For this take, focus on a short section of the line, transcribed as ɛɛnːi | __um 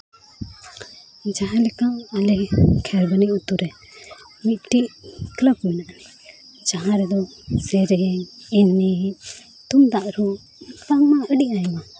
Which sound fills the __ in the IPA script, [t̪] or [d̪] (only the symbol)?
t̪